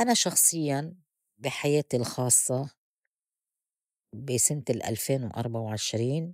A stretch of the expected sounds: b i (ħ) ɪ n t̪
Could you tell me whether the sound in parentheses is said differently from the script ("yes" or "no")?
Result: yes